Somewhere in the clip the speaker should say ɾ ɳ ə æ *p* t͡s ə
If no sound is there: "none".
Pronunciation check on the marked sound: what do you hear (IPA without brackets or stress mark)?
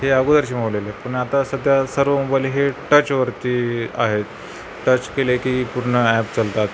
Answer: p